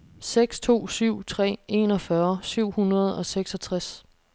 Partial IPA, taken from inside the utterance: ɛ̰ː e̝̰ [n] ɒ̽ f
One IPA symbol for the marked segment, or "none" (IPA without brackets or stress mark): n